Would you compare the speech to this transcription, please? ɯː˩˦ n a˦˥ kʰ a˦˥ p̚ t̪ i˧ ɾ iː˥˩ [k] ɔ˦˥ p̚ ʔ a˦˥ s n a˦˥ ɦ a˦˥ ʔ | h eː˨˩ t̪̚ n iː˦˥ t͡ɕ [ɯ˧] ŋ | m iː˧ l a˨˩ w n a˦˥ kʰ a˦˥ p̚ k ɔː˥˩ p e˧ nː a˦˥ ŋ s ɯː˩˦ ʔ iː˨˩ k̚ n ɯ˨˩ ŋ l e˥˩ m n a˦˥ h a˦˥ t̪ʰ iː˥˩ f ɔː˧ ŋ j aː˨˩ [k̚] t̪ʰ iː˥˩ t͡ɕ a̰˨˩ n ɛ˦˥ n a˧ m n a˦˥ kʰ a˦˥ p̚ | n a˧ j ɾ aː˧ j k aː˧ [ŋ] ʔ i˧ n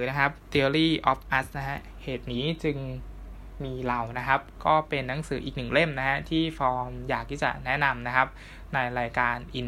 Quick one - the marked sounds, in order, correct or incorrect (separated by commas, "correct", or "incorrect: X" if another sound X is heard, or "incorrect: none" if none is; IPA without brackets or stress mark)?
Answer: incorrect: ʔ, correct, correct, incorrect: n